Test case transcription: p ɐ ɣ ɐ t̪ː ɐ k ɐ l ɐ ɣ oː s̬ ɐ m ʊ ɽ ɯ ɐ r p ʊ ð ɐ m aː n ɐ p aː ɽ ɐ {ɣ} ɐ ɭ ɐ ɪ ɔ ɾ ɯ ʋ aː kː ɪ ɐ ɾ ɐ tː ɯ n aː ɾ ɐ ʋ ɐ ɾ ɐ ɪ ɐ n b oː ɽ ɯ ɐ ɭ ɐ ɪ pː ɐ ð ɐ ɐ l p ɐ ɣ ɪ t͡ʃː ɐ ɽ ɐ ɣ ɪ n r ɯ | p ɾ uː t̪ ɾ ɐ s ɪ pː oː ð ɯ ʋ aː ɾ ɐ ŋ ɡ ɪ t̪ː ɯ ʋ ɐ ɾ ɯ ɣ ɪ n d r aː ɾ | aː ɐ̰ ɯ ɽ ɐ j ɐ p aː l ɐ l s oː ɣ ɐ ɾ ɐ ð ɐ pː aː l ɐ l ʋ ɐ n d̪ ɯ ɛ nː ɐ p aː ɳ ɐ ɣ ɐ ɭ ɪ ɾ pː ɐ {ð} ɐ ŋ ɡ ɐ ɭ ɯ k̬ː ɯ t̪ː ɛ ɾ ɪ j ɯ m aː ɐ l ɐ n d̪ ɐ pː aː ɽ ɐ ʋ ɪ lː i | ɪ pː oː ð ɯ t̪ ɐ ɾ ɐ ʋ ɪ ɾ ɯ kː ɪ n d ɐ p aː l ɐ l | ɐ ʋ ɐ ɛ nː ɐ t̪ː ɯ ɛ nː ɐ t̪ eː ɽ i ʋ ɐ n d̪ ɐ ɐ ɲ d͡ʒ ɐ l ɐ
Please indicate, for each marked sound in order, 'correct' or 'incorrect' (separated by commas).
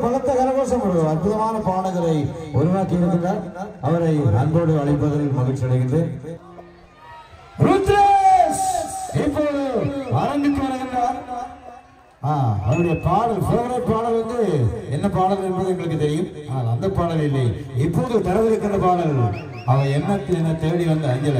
correct, correct